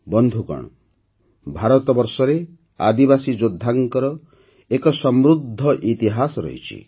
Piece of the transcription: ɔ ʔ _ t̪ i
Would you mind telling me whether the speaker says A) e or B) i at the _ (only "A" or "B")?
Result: B